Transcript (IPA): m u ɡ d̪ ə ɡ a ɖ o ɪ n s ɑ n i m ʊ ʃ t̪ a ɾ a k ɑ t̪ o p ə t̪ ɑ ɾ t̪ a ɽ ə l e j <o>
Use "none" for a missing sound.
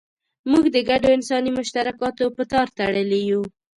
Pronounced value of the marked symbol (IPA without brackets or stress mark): u